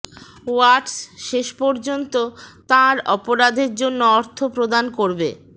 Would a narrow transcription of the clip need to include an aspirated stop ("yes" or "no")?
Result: yes